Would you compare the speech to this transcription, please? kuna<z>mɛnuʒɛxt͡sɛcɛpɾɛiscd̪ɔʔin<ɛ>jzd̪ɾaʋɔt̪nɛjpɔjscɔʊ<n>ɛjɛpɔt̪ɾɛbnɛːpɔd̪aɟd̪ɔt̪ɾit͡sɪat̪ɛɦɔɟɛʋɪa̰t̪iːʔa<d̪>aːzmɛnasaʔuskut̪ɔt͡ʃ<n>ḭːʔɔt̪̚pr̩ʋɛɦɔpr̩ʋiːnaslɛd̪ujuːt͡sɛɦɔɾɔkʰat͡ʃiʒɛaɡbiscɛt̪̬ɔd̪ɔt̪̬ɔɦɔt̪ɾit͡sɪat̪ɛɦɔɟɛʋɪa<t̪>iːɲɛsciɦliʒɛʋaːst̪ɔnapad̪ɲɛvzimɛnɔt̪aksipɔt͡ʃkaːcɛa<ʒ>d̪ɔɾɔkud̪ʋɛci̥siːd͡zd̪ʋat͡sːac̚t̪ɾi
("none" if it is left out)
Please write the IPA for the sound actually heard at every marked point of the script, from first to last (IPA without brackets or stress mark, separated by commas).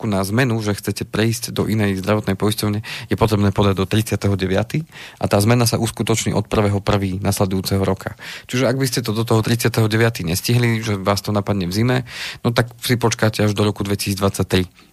z, ɛ, ɲ, t̪, ɲ, t̪, ʒ